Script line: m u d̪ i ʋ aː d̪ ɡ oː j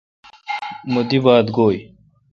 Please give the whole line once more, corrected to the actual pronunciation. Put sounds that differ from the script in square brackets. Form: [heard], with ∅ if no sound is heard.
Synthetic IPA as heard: m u d̪ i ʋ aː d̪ ɡ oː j